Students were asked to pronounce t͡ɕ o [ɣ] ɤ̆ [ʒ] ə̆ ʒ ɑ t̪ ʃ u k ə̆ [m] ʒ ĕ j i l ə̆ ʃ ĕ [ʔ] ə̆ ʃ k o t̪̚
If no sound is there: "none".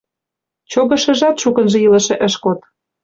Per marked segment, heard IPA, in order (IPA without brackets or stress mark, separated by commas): ɣ, ʃ, n, ʔ